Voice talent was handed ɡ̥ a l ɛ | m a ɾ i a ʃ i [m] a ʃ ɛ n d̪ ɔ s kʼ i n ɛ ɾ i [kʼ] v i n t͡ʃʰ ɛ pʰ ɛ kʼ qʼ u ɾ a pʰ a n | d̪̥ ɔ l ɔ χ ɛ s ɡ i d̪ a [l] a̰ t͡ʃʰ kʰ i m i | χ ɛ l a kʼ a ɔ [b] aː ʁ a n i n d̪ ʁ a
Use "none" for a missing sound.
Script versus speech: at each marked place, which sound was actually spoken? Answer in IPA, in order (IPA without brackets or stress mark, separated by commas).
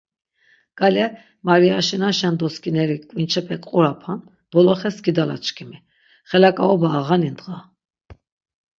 n, kʼ, l, b